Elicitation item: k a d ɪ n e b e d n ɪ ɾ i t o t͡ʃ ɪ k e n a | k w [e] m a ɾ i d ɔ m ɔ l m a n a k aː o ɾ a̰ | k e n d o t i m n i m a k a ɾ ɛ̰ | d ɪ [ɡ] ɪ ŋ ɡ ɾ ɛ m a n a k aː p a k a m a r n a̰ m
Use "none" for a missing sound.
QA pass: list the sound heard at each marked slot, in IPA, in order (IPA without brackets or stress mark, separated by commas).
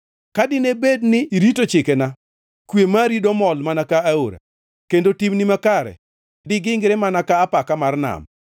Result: e, ɡ